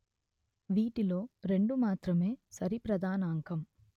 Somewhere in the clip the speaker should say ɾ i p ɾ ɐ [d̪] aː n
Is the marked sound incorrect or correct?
correct